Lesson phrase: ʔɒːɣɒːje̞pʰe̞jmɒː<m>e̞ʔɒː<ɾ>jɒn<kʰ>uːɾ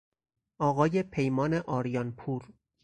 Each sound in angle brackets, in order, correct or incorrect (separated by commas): incorrect, correct, incorrect